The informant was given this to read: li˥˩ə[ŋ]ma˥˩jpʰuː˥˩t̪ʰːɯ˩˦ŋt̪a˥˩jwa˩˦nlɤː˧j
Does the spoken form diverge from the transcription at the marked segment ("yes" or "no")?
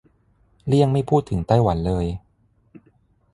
no